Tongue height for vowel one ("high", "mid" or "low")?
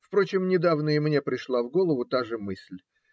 mid